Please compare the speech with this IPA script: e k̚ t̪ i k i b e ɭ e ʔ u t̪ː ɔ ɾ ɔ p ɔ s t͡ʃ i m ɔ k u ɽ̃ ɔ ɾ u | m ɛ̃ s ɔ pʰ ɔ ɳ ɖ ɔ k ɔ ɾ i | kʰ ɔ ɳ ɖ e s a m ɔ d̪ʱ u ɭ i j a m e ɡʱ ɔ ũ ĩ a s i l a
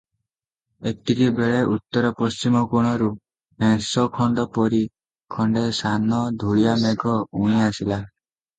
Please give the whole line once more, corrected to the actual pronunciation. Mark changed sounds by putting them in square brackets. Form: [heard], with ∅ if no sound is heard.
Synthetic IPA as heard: e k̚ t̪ i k i b e ɭ e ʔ u t̪ː ɔ ɾ ɔ p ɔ s t͡ʃ i m ɔ k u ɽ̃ ɔ ɾ u | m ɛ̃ s ɔ [kʰ] ɔ ɳ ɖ ɔ [p] ɔ ɾ i | kʰ ɔ ɳ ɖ e s a [n] ɔ d̪ʱ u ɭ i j a m e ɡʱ ɔ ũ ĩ a s i l a

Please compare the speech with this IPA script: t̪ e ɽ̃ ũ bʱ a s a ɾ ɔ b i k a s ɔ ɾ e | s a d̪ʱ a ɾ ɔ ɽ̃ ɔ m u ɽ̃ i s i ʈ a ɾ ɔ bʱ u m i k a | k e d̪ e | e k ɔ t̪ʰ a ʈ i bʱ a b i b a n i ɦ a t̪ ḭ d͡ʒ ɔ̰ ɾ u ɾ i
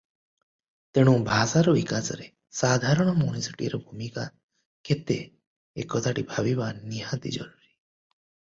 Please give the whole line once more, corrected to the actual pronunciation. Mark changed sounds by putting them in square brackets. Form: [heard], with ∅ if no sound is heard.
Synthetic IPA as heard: t̪ e ɽ̃ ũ bʱ a s a ɾ ɔ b i k a s ɔ ɾ e | s a d̪ʱ a ɾ ɔ ɽ̃ ɔ m u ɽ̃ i s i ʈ [i] ɾ ɔ bʱ u m i k a | k e [t̪] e | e k ɔ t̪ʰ a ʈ i bʱ a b i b a n i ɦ a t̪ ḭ d͡ʒ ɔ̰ ɾ u ɾ i

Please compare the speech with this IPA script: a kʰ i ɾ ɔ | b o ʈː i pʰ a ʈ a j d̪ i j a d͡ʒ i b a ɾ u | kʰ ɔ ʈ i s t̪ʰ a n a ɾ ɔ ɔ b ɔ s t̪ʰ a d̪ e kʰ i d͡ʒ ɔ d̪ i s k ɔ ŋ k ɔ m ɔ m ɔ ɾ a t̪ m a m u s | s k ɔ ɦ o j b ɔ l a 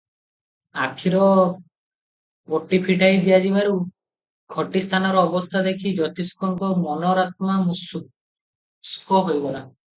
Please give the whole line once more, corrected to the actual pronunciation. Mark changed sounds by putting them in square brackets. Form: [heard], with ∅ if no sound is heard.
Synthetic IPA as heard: a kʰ i ɾ ɔ | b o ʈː i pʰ [i] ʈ a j d̪ i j a d͡ʒ i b a ɾ u | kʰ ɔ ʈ i s t̪ʰ a n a ɾ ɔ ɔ b ɔ s t̪ʰ a d̪ e kʰ i d͡ʒ ɔ [t̪] i s k ɔ ŋ k ɔ m ɔ [n] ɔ ɾ a t̪ m a m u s | s k ɔ ɦ o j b ɔ l a

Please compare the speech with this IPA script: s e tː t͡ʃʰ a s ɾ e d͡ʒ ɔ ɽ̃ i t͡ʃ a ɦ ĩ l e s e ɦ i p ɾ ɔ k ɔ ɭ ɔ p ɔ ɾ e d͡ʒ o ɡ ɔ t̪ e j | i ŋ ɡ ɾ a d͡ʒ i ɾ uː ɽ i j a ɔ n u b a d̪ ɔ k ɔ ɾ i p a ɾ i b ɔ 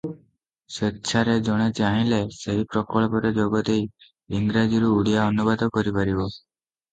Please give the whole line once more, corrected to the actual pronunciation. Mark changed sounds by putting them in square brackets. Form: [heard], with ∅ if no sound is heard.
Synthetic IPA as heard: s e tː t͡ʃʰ a [∅] ɾ e d͡ʒ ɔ ɽ̃ [e] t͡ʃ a ɦ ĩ l e s e ɦ i p ɾ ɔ k ɔ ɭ ɔ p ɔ ɾ e d͡ʒ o ɡ ɔ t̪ e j | i ŋ ɡ ɾ a d͡ʒ i ɾ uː ɽ i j a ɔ n u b a d̪ ɔ k ɔ ɾ i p a ɾ i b ɔ

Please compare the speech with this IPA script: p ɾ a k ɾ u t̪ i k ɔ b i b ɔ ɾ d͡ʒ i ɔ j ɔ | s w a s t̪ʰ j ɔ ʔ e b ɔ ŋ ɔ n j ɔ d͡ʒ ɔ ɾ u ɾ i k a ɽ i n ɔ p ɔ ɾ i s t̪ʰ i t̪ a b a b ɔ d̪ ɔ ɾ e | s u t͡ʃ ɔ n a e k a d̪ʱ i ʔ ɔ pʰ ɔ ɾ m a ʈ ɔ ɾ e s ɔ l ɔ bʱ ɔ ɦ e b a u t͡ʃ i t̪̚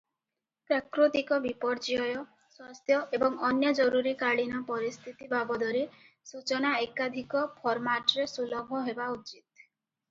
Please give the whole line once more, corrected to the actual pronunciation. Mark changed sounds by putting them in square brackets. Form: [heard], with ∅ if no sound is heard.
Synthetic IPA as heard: p ɾ a k ɾ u t̪ i k ɔ b i [p] ɔ ɾ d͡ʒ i ɔ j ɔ | s w a s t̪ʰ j ɔ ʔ e b ɔ ŋ ɔ n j ɔ d͡ʒ ɔ ɾ u ɾ i k a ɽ i n ɔ p ɔ ɾ i s t̪ʰ i t̪ [i] b a b ɔ d̪ ɔ ɾ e | s u t͡ʃ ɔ n a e k a d̪ʱ i [k] ɔ pʰ ɔ ɾ m a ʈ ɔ ɾ e s [u] l ɔ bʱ ɔ ɦ e b a u t͡ʃ i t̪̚

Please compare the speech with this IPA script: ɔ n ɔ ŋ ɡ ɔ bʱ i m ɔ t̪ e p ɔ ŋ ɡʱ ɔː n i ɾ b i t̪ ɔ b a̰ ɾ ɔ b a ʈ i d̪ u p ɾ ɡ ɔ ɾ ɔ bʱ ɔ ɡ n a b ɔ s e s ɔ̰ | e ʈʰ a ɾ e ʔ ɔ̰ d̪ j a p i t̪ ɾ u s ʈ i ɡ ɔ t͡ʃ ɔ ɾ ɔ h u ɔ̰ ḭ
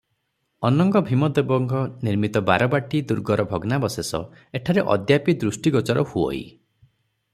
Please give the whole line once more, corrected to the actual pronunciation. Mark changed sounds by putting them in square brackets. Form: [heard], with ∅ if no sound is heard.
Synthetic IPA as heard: ɔ n ɔ ŋ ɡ ɔ bʱ i m ɔ [d̪] e [b] ɔ ŋ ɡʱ [ɔ] n i ɾ [m] i t̪ ɔ b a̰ ɾ ɔ b a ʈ i d̪ u [∅] ɾ ɡ ɔ ɾ ɔ bʱ ɔ ɡ n a b ɔ s e s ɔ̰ | e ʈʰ a ɾ e ʔ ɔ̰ d̪ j a p i [d̪] ɾ u s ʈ i ɡ ɔ t͡ʃ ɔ ɾ ɔ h u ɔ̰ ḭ

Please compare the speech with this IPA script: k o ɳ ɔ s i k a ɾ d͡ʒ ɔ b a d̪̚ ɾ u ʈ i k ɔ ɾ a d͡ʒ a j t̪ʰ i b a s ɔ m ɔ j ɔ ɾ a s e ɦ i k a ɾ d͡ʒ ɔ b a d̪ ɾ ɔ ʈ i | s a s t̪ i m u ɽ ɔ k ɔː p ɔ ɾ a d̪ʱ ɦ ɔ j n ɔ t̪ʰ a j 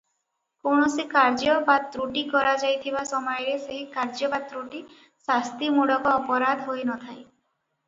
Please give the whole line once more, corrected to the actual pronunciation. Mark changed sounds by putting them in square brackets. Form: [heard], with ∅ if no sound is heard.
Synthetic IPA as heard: k o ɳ ɔ s i k a ɾ d͡ʒ ɔ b a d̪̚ ɾ u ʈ i k ɔ ɾ a d͡ʒ a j t̪ʰ i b a s ɔ m ɔ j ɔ ɾ [e] s e ɦ i k a ɾ d͡ʒ ɔ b a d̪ ɾ [u] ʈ i | s a s t̪ i m u ɽ ɔ k ɔː p ɔ ɾ a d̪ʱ ɦ [o] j n ɔ t̪ʰ a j

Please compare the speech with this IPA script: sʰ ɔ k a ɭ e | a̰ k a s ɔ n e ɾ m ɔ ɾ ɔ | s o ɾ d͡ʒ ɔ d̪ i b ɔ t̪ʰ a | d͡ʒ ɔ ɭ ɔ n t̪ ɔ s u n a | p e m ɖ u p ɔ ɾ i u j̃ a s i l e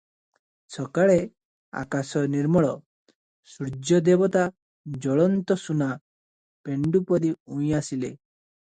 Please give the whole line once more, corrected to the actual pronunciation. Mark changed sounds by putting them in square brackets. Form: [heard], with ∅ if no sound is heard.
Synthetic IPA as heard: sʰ ɔ k a ɭ e | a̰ k a s ɔ n [i] ɾ m ɔ [ɭ] ɔ | s [u] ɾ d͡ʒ ɔ d̪ [e] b ɔ [t̪] a | d͡ʒ ɔ ɭ ɔ n t̪ ɔ s u n a | p e [ɳ] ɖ u p ɔ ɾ i u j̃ a s i l e

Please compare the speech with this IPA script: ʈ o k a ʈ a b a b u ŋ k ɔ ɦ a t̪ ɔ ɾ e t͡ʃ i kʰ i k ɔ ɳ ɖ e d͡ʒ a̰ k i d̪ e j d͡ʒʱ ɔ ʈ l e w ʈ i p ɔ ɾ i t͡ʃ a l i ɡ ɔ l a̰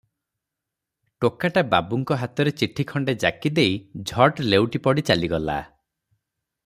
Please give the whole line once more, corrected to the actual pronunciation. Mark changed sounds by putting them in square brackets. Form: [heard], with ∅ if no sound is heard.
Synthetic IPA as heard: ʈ o k a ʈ a b a b u ŋ k ɔ ɦ a t̪ ɔ ɾ e t͡ʃ i [ʈʰ] i [kʰ] ɔ ɳ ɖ e d͡ʒ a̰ k i d̪ e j d͡ʒʱ ɔ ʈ l e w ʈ i p ɔ [ɽ] i t͡ʃ a l i ɡ ɔ l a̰

